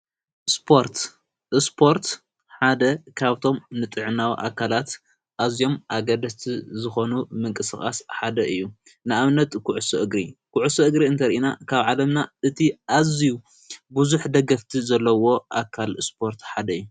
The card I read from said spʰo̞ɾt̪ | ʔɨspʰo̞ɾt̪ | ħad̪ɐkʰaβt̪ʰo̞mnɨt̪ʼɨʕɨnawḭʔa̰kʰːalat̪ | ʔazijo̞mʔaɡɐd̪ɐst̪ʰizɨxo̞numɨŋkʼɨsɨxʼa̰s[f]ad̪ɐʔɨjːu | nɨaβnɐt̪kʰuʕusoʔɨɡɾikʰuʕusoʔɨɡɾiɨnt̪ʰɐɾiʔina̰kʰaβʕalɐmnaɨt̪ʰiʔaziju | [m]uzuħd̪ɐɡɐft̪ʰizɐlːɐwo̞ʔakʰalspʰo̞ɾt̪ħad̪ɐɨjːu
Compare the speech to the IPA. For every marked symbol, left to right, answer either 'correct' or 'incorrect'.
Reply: incorrect: ħ, incorrect: b

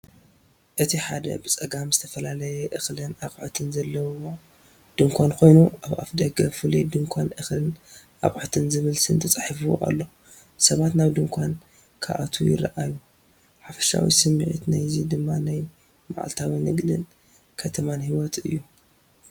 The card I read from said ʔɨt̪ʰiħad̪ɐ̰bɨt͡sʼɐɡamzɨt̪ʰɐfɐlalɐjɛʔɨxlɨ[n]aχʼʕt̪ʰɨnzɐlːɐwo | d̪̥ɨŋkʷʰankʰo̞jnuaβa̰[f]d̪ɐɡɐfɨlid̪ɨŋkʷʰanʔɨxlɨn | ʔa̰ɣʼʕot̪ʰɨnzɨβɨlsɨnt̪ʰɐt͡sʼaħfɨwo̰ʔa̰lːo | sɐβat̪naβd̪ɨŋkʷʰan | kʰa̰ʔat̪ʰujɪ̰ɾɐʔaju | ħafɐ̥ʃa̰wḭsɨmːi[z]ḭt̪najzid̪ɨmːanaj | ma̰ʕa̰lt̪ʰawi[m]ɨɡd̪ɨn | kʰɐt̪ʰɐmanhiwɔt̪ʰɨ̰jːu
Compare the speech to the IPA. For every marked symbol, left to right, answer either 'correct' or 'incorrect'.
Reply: correct, correct, incorrect: ʕ, incorrect: n

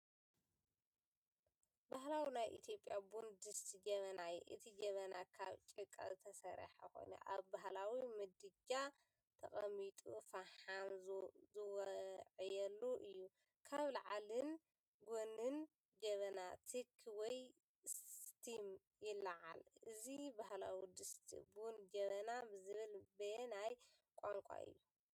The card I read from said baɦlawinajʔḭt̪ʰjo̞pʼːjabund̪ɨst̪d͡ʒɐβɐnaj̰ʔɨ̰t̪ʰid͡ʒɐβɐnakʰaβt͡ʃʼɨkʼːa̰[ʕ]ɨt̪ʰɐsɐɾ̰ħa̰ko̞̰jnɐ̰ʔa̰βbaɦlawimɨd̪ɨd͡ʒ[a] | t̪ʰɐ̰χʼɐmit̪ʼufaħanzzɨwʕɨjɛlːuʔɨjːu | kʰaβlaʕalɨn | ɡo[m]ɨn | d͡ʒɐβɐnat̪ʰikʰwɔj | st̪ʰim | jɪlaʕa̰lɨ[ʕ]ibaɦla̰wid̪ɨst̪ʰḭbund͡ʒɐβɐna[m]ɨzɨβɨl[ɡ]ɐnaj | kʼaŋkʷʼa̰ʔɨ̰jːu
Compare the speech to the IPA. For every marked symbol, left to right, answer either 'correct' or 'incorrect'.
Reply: incorrect: z, correct, incorrect: n, incorrect: z, incorrect: b, incorrect: b

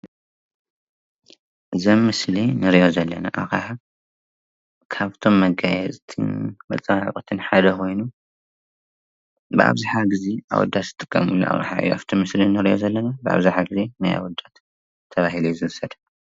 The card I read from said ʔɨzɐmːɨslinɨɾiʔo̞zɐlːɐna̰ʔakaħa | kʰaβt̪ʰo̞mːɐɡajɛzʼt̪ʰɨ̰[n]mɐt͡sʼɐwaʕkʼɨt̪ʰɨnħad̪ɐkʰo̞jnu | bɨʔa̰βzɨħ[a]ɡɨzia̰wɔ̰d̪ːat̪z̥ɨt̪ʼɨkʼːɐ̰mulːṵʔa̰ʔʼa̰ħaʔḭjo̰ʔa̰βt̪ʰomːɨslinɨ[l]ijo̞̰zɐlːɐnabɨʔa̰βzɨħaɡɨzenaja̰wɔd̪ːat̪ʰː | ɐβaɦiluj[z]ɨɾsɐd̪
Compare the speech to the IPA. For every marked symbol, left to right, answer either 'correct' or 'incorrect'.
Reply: correct, correct, incorrect: ɾ, correct

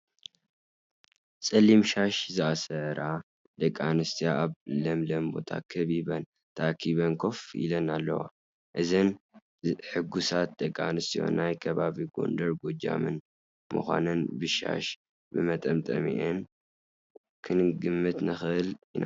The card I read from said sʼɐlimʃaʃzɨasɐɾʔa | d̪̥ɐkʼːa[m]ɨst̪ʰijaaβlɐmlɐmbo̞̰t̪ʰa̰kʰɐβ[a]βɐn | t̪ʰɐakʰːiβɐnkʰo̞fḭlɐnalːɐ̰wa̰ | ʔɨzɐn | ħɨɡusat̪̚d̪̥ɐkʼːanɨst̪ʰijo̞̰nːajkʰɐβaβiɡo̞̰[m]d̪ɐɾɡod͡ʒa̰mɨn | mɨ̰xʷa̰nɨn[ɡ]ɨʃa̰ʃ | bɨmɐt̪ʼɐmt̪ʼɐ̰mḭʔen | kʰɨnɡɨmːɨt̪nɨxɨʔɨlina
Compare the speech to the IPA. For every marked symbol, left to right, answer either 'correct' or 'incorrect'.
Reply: incorrect: n, incorrect: i, incorrect: n, incorrect: b

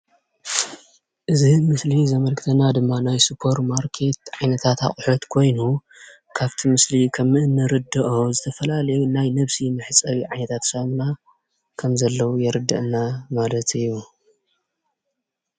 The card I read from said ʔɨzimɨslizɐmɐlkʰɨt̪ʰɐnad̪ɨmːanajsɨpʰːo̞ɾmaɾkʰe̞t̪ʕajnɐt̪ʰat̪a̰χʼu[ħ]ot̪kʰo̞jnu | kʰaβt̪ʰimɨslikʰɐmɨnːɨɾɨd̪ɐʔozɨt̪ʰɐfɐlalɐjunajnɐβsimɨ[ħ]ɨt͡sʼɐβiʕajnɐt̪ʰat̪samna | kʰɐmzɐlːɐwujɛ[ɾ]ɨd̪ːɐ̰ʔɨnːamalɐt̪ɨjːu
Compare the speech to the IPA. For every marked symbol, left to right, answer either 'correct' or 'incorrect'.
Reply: correct, correct, correct

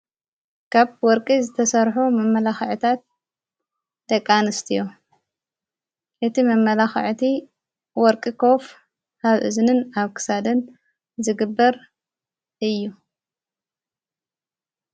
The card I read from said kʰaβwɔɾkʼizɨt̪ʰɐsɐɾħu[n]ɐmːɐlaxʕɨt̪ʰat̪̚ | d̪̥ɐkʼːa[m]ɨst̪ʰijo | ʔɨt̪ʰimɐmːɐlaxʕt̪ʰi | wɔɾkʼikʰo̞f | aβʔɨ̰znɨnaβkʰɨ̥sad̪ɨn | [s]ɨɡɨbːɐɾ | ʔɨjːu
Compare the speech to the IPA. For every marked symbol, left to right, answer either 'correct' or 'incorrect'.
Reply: incorrect: m, incorrect: n, incorrect: z

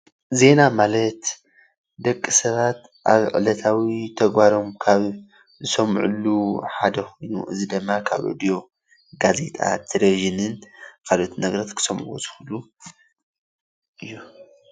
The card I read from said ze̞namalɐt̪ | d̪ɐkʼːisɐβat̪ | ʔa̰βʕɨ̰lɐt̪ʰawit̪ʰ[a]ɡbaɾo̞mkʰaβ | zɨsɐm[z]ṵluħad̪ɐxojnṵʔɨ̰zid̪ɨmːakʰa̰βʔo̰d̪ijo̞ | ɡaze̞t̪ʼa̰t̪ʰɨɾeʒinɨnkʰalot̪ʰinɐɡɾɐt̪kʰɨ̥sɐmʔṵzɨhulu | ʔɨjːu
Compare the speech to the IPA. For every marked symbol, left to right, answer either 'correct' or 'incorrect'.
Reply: incorrect: ɐ, incorrect: ʕ

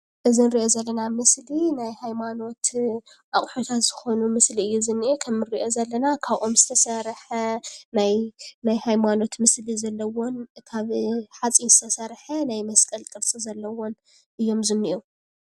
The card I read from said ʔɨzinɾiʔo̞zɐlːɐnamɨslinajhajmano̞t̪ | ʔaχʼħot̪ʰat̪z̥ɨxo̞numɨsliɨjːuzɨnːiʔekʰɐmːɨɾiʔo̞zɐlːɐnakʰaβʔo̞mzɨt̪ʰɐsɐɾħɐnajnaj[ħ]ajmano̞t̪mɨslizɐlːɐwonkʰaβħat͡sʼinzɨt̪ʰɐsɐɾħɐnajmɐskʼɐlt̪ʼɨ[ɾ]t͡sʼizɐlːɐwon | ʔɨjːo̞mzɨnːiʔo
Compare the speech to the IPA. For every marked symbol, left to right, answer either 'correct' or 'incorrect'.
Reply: incorrect: h, correct

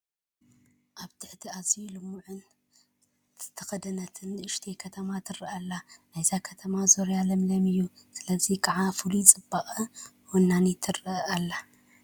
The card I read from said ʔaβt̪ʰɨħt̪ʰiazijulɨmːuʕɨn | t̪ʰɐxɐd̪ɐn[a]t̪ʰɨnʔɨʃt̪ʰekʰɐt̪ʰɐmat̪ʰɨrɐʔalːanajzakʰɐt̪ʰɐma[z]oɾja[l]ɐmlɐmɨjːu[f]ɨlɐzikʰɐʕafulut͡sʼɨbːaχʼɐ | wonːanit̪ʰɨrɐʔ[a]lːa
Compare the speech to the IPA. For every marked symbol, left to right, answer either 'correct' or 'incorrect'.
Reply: incorrect: ɐ, correct, correct, incorrect: s, correct

